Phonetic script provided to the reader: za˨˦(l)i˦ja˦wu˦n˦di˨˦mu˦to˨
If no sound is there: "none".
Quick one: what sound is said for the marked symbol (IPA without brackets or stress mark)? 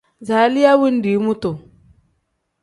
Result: l